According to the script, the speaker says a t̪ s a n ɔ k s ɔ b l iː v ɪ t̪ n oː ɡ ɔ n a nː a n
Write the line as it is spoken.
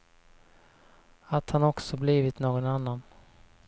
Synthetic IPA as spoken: a t̪ h a n ɔ k s ɔ b l iː v ɪ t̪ n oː ɡ ɔ n a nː a n